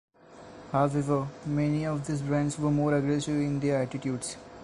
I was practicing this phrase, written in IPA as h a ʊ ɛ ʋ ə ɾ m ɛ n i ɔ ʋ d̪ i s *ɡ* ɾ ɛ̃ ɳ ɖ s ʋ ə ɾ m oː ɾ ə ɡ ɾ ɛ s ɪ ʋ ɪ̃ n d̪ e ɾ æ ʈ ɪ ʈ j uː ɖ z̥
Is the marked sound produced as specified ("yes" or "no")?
no